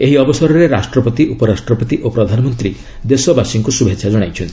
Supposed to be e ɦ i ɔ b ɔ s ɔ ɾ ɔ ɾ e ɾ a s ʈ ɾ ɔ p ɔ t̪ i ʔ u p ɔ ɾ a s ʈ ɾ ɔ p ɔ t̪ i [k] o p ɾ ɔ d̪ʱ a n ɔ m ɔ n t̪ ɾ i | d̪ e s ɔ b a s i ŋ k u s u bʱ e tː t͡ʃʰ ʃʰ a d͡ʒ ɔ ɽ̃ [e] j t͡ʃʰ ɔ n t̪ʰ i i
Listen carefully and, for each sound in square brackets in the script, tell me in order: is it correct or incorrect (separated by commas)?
incorrect, incorrect